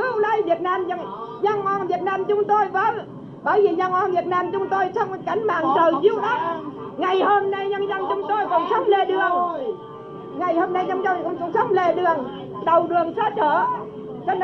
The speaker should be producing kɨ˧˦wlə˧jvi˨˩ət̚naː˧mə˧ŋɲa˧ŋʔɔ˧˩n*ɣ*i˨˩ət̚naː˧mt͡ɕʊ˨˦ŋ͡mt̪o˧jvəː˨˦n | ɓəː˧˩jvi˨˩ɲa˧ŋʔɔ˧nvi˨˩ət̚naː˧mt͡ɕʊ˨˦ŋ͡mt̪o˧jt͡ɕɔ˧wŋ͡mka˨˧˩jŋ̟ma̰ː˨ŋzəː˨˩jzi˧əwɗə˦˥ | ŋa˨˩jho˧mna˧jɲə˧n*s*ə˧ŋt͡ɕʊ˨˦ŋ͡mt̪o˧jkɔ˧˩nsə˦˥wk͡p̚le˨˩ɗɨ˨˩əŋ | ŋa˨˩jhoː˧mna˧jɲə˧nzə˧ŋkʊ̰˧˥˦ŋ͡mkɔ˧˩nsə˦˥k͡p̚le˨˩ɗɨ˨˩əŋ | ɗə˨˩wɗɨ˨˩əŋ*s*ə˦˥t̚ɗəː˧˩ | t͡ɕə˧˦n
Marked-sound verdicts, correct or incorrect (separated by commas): incorrect, incorrect, correct